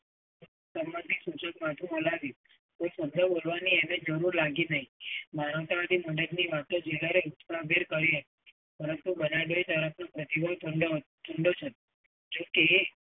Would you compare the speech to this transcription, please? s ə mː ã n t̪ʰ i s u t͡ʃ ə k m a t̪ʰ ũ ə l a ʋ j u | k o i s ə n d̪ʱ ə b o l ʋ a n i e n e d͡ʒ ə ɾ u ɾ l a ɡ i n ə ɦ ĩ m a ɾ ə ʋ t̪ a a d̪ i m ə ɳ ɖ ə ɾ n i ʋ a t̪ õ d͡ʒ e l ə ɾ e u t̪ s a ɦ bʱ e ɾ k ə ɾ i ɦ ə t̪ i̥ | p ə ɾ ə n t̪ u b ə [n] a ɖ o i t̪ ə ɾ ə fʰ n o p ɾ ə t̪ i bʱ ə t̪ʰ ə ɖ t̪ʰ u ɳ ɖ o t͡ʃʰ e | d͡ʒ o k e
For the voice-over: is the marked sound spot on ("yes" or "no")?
yes